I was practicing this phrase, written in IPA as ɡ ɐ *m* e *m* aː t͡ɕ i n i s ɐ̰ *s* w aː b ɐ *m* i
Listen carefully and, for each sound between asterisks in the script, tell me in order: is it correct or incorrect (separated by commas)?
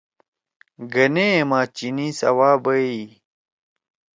incorrect, correct, incorrect, incorrect